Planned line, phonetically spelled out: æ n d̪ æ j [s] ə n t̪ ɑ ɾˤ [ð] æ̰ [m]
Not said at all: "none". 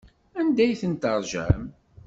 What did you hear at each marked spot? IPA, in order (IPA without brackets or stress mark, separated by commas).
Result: θ, ʒ, m